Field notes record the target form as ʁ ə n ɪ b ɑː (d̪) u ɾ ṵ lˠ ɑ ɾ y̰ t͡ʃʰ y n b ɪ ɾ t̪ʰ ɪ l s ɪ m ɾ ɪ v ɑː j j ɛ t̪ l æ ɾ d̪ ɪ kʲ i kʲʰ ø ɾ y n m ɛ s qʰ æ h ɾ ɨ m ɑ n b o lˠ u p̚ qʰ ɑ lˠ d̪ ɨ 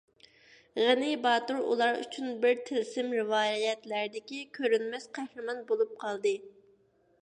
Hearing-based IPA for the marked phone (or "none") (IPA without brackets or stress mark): t̪